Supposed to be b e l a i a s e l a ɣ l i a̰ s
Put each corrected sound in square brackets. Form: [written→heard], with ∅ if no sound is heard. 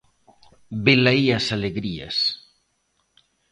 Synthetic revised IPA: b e l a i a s [e→a] l [a→e] ɣ [l→ɾ] i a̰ s